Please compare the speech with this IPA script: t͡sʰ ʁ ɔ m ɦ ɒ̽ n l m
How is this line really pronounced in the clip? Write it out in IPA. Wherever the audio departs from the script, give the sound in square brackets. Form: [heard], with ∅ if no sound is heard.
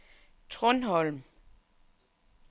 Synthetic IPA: t͡sʰ ʁ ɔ [n] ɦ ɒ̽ [∅] l m